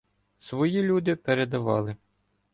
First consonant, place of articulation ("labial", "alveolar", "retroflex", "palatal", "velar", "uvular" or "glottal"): alveolar